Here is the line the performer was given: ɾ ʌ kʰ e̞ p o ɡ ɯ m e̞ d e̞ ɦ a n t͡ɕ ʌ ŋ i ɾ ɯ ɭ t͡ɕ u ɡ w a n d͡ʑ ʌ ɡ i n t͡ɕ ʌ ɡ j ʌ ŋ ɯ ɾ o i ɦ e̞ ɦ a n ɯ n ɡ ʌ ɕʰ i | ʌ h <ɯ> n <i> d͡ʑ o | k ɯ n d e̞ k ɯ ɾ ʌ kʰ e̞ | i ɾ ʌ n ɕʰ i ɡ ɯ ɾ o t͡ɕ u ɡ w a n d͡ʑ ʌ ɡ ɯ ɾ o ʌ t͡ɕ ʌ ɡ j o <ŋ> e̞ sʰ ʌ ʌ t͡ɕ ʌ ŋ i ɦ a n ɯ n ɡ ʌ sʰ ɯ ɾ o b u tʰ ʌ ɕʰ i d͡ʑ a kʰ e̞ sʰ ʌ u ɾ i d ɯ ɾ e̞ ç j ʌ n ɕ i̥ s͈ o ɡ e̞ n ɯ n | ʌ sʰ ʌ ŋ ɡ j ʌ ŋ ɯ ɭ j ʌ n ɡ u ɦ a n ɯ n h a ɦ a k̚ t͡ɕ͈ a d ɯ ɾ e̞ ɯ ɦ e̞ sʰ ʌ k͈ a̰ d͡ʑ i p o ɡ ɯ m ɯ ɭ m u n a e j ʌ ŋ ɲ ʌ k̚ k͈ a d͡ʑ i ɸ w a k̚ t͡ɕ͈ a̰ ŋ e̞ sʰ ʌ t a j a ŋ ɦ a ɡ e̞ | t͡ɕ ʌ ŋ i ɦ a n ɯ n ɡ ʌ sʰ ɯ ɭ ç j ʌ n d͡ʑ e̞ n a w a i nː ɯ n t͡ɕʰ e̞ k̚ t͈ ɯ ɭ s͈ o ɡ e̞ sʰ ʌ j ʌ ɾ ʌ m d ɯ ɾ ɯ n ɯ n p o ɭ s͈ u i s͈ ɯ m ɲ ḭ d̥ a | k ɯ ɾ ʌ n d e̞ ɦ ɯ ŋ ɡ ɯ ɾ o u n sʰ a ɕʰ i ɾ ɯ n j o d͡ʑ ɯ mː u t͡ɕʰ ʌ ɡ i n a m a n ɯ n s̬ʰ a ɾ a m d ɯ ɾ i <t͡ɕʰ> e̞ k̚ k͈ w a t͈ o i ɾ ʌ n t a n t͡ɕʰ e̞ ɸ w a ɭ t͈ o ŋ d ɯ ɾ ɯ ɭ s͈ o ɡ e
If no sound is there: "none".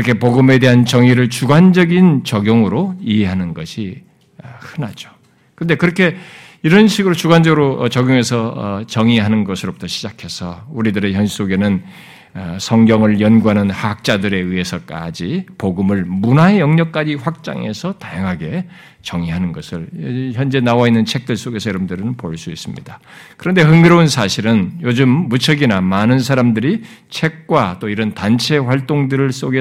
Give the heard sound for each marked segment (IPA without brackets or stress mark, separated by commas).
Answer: ɯ, a, ŋ, t͡ɕʰ